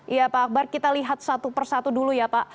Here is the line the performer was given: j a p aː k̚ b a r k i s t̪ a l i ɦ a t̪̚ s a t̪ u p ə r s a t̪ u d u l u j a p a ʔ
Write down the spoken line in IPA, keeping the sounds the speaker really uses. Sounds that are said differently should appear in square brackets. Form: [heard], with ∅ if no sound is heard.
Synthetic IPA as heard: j a p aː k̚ b a r k i [∅] t̪ a l i ɦ a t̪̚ s a t̪ u p ə r s a t̪ u d u l u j a p a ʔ